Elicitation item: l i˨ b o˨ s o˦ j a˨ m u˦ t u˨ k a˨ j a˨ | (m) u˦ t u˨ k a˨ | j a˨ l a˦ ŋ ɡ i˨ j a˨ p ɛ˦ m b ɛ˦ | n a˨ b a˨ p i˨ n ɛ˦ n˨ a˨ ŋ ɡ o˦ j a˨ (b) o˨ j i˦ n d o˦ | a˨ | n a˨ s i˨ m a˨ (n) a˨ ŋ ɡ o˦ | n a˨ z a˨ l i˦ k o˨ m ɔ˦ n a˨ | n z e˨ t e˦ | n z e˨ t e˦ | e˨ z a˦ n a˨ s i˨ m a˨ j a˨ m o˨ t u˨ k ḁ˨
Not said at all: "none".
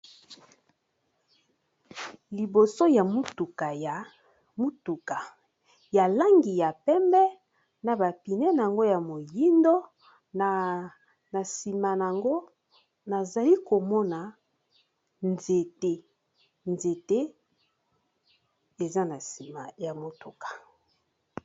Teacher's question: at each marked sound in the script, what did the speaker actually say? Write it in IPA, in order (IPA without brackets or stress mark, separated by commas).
m, m, n